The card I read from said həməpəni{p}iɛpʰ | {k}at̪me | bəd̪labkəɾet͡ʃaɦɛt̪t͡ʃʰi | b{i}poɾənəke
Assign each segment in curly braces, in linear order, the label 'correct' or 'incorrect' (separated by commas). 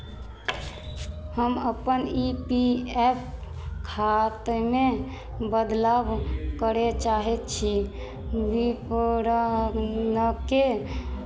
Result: correct, incorrect, correct